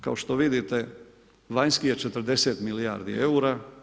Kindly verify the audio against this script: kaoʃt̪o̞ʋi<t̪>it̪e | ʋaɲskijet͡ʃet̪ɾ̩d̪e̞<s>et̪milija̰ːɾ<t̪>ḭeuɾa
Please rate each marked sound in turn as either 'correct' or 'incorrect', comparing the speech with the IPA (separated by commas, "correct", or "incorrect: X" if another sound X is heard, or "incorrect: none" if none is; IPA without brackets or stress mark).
incorrect: d̪, correct, incorrect: d̪